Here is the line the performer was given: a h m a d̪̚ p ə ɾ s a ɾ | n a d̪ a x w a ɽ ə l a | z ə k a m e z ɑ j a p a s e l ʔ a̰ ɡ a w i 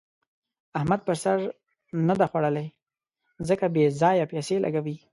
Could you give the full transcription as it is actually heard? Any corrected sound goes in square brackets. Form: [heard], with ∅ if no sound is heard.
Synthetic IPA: a h m a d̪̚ p ə ɾ s a ɾ | n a d̪ a x w a ɽ ə l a | z ə k a [b] e z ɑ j a p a s e l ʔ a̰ ɡ a w i